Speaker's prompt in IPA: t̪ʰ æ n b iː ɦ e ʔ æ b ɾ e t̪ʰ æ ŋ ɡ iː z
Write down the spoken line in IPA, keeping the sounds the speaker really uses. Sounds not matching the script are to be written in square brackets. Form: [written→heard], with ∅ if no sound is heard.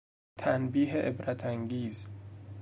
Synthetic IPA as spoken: t̪ʰ æ n b iː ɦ e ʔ [æ→e] b ɾ [e→æ] t̪ʰ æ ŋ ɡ iː z